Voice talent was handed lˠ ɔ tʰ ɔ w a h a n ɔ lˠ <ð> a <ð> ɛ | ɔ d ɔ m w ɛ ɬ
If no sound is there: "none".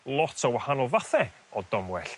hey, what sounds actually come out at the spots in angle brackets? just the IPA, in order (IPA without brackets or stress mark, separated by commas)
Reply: v, θ